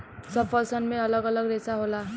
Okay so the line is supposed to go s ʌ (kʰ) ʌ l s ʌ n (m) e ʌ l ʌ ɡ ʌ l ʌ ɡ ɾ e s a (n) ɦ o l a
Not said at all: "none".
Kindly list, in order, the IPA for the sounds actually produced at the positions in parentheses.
pʰ, m, none

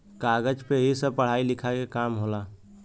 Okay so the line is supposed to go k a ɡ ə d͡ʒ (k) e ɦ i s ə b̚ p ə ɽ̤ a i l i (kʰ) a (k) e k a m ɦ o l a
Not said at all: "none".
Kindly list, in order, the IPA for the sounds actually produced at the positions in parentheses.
p, kʰ, k

